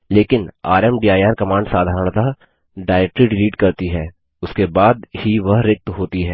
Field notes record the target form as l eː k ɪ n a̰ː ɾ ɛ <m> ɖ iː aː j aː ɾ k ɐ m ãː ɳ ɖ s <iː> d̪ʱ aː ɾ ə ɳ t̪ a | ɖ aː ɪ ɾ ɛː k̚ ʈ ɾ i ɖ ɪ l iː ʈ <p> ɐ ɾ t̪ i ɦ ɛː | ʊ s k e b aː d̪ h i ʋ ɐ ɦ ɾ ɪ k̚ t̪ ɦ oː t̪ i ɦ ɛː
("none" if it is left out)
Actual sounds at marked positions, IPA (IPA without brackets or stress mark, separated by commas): m, aː, k